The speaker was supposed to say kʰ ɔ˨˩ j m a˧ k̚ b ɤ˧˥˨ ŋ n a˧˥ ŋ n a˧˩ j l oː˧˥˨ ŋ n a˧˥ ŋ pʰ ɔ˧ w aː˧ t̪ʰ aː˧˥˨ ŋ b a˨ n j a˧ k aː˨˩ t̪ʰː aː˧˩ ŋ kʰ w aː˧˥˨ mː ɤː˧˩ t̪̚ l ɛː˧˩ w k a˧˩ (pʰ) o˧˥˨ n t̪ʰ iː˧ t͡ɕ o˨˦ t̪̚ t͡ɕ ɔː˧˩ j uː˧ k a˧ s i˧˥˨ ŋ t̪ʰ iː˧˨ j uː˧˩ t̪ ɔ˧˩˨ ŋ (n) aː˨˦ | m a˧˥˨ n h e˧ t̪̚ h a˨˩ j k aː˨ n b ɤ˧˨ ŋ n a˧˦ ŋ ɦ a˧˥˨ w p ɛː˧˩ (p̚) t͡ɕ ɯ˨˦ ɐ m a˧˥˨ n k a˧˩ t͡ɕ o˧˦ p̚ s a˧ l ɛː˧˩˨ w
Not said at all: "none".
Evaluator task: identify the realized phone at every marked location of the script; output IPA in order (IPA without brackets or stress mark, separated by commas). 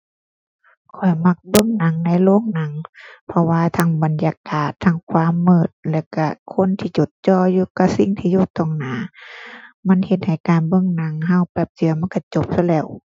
kʰ, n, p̚